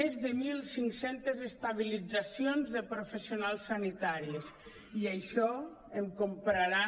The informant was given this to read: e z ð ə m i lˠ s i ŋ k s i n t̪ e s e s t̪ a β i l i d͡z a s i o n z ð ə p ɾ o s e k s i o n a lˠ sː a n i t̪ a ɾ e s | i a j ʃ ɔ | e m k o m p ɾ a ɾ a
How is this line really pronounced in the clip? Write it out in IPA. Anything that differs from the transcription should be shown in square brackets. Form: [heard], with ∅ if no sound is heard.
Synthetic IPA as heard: e z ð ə m i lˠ s i ŋ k s [e] n t̪ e [z] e s t̪ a β i l i d͡z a s i o n z ð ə p ɾ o [f] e [∅] s i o n a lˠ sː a n i t̪ a ɾ [i] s | i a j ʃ ɔ | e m k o m p ɾ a ɾ a